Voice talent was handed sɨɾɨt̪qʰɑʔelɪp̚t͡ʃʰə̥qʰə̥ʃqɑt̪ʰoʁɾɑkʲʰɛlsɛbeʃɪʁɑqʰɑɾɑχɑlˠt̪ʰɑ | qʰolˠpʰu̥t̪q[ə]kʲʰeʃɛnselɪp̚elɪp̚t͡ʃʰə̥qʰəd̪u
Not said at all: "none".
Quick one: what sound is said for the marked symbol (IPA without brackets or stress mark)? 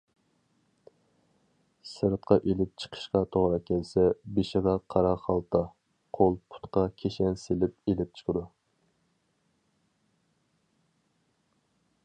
ɑ